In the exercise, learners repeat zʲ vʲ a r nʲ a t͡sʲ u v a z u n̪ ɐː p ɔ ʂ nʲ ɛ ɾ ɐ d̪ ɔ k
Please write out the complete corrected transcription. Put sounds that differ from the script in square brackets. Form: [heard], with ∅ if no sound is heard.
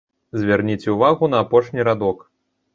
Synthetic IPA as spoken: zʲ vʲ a r nʲ [i] t͡sʲ u v a [ɣ] u n̪ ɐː p ɔ ʂ nʲ [i] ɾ [a] d̪ ɔ k